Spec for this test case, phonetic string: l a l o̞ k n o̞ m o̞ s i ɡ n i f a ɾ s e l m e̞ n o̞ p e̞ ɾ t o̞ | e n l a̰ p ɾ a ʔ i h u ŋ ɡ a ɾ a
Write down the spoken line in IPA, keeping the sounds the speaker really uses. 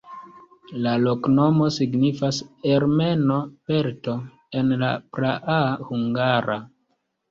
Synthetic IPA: l a l o̞ k n o̞ m o̞ s i ɡ n i f a s e ɾ m e̞ n o̞ p e̞ ɾ t o̞ | e n l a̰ p ɾ a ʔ a h u ŋ ɡ a ɾ a